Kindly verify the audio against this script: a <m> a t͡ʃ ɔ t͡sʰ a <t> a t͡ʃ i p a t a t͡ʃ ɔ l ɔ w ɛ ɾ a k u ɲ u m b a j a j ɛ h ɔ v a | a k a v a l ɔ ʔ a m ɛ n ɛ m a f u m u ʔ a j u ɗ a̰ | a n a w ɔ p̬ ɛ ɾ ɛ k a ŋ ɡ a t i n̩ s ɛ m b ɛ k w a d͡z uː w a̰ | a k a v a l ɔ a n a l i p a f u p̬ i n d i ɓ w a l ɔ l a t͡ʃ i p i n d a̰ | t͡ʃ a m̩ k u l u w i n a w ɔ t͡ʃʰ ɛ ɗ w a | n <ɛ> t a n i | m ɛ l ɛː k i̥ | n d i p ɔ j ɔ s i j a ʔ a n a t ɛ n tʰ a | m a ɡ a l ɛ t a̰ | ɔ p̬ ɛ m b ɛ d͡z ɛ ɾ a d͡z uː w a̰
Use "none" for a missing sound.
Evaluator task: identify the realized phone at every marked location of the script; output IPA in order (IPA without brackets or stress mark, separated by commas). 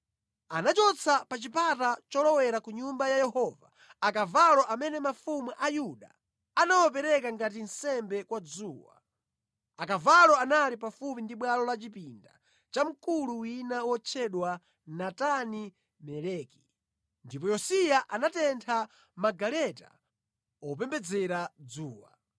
n, p, a